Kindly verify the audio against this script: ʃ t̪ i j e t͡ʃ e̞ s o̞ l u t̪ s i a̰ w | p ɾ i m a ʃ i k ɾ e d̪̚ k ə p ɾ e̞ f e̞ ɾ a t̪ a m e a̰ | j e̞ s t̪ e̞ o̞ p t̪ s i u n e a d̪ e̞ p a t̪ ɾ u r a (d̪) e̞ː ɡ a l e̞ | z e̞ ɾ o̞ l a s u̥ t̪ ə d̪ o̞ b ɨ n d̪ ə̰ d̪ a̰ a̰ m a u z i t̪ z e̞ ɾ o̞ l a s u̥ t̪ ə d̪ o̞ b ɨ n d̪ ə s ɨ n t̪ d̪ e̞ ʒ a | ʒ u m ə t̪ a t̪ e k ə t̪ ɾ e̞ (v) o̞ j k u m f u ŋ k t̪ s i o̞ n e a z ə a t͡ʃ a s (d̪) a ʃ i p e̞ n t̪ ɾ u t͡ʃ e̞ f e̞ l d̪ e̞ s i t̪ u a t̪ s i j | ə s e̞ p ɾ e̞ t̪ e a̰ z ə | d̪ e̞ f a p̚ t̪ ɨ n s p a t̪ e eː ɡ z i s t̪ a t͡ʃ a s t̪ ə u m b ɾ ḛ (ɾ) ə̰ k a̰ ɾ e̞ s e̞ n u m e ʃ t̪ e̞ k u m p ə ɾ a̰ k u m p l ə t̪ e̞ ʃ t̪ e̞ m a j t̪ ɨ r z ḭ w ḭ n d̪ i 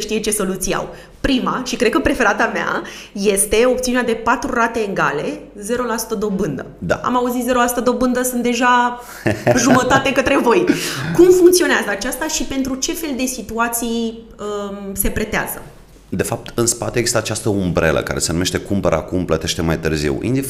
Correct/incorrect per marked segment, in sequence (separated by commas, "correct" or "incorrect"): incorrect, correct, incorrect, incorrect